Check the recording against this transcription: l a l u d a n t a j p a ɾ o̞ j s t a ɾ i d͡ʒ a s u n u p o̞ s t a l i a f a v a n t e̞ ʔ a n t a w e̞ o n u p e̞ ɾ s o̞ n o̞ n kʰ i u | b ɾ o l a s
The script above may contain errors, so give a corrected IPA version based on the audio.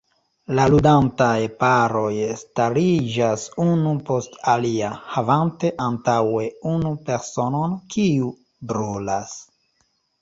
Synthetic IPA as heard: l a l u d a n t a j p a ɾ o̞ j s t a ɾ i d͡ʒ a s u n u p o̞ s t a l i a h a v a n t e̞ ʔ a n t a w e̞ u n u p e̞ ɾ s o̞ n o̞ n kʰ i u | b ɾ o l a s